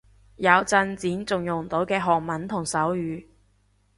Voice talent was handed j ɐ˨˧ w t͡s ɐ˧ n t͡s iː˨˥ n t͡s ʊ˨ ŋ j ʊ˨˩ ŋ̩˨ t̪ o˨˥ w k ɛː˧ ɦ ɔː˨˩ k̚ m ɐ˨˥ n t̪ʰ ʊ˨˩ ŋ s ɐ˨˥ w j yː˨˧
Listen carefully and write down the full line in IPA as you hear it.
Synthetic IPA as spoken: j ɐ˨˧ w t͡s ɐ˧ n t͡s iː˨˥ n t͡s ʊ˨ ŋ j ʊ˨˩ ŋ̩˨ t̪ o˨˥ w k ɛː˧ ɦ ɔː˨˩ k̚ m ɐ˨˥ n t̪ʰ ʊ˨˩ ŋ s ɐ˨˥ w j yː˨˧